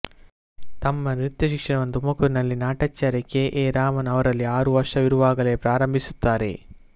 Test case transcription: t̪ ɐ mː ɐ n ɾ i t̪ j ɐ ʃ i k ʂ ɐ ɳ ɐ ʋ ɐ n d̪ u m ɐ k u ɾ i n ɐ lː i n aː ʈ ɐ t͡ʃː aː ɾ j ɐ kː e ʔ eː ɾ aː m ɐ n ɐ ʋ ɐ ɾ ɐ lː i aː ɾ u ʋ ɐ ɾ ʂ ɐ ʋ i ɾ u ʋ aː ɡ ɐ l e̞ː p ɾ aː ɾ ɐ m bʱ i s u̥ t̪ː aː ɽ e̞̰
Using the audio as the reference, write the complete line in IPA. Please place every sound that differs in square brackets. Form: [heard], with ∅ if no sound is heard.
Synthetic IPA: t̪ ɐ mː ɐ n ɾ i t̪ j ɐ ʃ i k ʂ ɐ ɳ ɐ ʋ ɐ n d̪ u m ɐ k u ɾ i n ɐ lː i n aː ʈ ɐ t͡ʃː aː ɾ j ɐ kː e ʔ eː ɾ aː m ɐ n ɐ ʋ ɐ ɾ ɐ lː i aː ɾ u ʋ ɐ ɾ ʂ ɐ ʋ i ɾ u ʋ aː ɡ ɐ l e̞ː p ɾ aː ɾ ɐ m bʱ i s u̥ t̪ː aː [ɾ] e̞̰